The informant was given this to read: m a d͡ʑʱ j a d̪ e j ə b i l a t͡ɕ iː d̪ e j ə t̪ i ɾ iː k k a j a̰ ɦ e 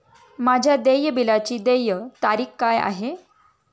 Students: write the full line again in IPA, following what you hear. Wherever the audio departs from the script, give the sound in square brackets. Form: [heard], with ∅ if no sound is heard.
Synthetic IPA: m a d͡ʑʱ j a d̪ e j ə b i l a t͡ɕ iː d̪ e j ə t̪ [a] ɾ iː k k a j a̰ ɦ e